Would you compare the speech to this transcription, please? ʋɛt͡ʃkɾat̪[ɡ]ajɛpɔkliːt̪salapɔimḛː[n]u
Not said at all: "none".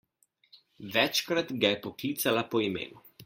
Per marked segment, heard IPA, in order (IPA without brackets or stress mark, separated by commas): ɡ, n